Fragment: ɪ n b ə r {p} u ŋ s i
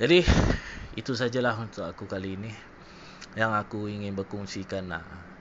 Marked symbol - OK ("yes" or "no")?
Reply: no